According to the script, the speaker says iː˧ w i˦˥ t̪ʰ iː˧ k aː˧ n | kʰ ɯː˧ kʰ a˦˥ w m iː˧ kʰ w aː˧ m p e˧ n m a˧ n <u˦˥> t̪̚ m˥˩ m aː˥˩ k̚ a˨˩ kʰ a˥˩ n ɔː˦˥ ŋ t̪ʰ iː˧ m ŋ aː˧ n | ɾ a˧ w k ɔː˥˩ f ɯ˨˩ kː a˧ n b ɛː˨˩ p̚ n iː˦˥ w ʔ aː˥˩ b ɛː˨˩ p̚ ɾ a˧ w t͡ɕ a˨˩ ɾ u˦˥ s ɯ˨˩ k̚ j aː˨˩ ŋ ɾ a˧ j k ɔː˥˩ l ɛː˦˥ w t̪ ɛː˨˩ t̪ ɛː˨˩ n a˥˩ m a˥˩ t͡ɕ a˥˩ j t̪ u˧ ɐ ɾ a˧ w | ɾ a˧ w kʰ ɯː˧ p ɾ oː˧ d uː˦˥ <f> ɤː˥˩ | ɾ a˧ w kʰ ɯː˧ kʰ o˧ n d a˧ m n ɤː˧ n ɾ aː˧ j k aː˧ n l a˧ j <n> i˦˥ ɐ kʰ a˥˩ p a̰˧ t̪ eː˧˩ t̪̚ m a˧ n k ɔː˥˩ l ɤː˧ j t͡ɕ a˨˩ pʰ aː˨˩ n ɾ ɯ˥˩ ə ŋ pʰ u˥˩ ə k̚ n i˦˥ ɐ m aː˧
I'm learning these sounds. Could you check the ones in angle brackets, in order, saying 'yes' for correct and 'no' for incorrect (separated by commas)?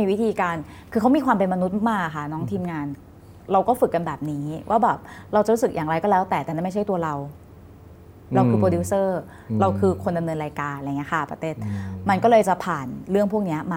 yes, no, no